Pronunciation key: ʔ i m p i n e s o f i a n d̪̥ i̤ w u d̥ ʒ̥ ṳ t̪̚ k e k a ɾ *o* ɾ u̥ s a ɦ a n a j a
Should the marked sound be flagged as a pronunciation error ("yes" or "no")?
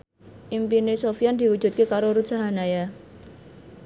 no